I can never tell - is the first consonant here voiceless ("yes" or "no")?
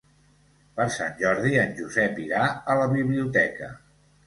yes